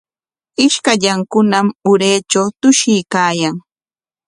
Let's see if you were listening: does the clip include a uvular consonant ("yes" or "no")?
no